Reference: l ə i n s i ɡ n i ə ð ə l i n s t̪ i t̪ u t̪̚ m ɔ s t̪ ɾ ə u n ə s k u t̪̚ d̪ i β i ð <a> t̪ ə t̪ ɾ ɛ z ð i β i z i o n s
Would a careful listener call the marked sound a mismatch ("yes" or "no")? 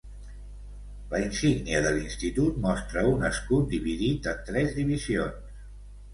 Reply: yes